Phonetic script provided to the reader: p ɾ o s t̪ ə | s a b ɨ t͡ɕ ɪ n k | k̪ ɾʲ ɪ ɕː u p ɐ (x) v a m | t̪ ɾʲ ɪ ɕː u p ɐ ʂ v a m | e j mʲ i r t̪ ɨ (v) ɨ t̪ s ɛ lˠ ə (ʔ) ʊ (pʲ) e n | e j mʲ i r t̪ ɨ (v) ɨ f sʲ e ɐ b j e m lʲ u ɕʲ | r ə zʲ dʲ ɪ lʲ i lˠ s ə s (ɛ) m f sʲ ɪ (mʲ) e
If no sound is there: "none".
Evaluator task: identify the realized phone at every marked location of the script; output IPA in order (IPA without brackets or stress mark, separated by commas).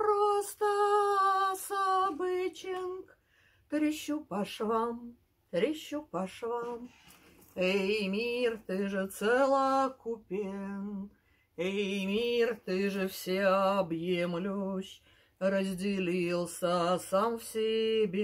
ʂ, ʐ, k, pʲ, ʐ, a, bʲ